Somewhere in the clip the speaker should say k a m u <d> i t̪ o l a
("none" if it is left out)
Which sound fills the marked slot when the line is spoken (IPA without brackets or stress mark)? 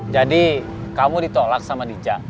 d